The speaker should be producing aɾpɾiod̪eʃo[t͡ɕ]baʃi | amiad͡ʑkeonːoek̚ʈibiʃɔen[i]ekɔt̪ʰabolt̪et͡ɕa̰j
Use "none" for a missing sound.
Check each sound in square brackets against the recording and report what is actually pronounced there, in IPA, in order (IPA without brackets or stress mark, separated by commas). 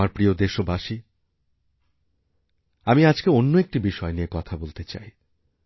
none, i